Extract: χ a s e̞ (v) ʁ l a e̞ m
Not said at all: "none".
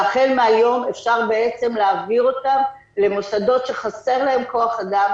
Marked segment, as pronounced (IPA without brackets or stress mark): none